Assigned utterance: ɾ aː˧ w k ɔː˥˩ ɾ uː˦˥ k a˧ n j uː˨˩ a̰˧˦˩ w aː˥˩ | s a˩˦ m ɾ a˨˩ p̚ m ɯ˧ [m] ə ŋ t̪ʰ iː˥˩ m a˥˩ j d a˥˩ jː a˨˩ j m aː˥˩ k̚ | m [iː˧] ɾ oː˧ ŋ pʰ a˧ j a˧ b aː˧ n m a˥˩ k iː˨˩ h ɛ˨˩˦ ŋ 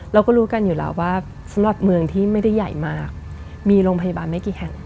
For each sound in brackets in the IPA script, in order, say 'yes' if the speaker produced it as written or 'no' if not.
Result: no, yes

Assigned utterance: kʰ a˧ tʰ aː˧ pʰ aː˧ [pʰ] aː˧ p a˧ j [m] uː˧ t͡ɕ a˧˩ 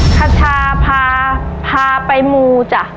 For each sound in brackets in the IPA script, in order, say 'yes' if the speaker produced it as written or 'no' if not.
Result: yes, yes

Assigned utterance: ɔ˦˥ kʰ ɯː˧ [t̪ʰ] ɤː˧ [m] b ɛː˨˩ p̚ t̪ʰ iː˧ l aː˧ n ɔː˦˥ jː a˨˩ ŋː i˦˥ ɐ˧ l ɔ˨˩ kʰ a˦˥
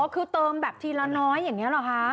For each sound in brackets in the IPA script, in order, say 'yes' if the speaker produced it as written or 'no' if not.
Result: no, yes

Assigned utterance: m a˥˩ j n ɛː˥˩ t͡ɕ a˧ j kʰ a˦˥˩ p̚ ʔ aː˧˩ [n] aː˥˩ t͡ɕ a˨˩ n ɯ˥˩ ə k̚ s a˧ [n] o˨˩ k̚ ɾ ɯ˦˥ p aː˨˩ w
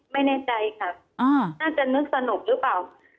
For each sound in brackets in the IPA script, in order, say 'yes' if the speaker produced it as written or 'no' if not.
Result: yes, yes

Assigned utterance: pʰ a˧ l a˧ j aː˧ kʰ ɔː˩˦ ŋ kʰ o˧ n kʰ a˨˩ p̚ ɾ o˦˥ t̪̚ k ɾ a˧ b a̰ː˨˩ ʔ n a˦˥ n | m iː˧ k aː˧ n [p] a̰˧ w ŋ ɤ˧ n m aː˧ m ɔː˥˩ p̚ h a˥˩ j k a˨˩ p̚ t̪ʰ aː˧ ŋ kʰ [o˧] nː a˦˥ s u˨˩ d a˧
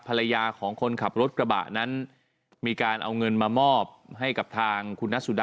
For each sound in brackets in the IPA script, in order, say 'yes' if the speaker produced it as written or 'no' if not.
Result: no, no

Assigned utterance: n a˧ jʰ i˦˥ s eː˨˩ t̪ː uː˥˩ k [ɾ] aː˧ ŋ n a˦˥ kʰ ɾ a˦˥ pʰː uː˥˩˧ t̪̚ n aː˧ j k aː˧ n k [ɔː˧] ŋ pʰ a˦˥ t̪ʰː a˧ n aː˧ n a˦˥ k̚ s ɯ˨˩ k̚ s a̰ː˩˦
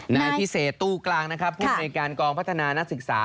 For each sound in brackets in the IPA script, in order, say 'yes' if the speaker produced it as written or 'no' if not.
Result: no, yes

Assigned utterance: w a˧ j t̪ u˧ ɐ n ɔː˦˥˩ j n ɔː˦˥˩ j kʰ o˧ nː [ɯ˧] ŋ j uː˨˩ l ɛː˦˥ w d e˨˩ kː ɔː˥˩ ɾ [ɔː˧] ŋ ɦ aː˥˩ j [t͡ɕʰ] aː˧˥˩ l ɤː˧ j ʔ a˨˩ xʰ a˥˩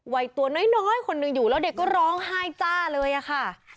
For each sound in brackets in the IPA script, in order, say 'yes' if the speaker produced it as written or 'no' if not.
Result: yes, no, no

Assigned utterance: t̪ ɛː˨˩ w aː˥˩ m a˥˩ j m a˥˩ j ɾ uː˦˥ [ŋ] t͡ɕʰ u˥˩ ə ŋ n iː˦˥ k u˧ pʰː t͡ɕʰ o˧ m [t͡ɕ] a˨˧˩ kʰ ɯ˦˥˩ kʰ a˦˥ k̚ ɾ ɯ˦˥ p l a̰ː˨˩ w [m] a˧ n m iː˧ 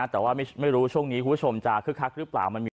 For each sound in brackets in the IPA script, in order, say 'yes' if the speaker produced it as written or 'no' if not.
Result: no, yes, yes

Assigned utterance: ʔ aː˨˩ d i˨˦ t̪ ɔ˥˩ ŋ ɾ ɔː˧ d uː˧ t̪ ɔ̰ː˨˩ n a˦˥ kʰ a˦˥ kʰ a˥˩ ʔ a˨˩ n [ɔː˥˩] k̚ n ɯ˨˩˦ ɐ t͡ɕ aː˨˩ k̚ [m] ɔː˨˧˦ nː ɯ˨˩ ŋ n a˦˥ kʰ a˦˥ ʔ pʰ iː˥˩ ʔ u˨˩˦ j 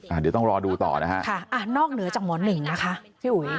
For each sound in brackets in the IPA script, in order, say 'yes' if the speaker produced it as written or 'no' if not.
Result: yes, yes

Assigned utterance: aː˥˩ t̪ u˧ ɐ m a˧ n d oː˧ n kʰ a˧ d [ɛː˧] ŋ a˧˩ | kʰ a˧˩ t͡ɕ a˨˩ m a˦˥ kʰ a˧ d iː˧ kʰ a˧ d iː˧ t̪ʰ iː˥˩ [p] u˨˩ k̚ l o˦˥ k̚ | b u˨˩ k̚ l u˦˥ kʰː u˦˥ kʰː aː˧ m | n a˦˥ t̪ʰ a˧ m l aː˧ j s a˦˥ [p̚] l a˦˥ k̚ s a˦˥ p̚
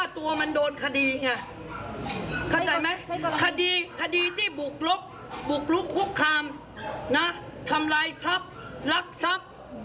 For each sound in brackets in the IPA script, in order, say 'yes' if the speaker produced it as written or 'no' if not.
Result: no, no, yes

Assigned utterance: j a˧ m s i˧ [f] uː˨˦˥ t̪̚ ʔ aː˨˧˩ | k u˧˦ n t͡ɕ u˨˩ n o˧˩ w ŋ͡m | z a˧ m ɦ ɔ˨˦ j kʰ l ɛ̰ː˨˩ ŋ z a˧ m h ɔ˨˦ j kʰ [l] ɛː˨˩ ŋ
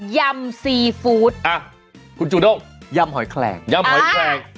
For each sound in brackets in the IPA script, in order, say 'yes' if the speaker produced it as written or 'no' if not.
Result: yes, yes

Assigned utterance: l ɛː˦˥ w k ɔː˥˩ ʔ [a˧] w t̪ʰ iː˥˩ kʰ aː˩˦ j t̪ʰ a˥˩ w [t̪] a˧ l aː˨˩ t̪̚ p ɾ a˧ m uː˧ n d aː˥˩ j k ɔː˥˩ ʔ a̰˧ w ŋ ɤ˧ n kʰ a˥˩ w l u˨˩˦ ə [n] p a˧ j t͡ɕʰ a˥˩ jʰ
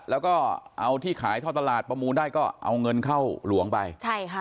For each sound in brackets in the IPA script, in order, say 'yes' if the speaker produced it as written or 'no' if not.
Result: yes, yes, no

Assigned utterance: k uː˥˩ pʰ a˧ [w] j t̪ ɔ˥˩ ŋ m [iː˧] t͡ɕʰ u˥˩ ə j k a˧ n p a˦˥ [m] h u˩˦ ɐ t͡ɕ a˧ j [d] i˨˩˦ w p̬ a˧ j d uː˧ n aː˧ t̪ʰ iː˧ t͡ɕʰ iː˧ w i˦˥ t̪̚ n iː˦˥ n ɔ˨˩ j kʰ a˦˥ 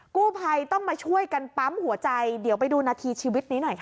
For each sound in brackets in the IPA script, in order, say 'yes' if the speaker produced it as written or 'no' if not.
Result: no, no, yes, yes

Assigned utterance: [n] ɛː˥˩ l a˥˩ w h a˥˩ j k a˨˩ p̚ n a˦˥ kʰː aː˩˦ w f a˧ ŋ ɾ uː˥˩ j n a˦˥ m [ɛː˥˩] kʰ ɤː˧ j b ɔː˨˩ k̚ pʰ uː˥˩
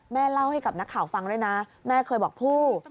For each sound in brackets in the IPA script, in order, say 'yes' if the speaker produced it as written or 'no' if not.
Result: no, yes

